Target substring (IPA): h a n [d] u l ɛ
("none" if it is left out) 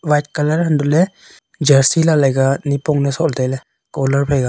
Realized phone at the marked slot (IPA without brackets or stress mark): d